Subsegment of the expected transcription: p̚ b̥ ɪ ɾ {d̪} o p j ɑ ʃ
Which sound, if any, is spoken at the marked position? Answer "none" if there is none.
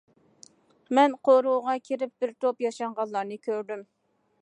t̪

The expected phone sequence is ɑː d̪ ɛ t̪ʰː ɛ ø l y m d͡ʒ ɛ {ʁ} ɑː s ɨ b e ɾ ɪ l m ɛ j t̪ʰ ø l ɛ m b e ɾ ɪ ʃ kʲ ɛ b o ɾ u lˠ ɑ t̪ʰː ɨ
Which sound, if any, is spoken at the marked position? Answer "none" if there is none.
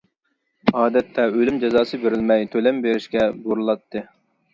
z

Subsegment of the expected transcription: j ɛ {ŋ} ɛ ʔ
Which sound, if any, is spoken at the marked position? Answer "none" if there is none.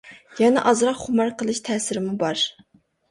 n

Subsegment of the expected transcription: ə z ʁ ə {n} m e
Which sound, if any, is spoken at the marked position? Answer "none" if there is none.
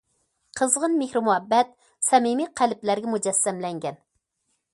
n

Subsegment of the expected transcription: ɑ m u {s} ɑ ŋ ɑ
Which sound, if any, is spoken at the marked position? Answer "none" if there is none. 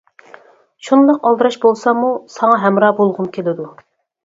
s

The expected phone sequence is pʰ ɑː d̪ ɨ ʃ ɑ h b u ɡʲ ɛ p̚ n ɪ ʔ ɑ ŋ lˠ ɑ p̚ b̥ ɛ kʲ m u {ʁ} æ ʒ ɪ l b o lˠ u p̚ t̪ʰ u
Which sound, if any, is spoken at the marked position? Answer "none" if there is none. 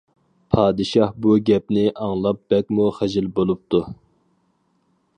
χ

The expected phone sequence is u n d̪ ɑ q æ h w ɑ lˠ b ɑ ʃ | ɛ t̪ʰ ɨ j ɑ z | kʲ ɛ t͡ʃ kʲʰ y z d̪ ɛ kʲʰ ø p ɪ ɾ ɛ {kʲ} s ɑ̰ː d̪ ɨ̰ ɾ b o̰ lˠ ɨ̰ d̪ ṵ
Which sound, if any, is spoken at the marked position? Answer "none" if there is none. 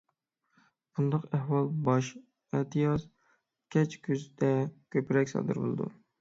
kʲ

